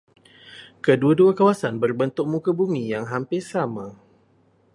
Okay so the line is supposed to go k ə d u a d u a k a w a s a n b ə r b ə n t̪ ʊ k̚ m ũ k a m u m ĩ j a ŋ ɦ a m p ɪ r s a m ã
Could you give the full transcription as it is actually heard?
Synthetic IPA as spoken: k ə d u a d u a k a w a s a n b ə r b ə n t̪ ʊ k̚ m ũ k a b u m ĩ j a ŋ ɦ a m p ɪ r s a m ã